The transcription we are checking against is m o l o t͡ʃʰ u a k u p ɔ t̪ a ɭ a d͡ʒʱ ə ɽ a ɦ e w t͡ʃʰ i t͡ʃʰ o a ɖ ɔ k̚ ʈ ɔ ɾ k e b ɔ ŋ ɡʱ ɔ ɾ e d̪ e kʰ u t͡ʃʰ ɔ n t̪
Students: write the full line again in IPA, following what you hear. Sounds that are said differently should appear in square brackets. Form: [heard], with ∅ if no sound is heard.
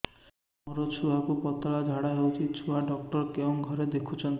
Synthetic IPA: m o [ɾ] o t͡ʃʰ u a k u p ɔ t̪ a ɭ a d͡ʒʱ [a] ɽ a ɦ e w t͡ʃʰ i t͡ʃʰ [u] a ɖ ɔ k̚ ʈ ɔ ɾ k e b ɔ ŋ ɡʱ ɔ ɾ e d̪ e kʰ u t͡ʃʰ ɔ n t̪